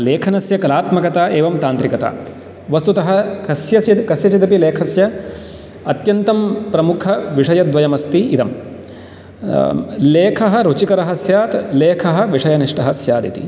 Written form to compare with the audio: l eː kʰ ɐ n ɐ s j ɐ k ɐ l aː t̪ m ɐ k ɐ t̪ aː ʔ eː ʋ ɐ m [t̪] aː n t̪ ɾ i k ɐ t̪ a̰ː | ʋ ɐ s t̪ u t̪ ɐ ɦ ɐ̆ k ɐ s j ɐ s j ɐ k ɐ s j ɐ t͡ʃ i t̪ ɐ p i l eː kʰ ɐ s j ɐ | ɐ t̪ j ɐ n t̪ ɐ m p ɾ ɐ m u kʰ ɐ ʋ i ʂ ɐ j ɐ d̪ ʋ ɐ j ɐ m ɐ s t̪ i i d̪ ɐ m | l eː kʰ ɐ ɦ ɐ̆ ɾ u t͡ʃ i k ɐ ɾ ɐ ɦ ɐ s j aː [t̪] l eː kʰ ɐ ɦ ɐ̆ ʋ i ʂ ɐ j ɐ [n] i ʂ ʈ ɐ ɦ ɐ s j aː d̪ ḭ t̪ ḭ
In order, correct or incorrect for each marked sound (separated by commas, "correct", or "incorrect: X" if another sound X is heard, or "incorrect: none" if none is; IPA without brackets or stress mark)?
correct, correct, correct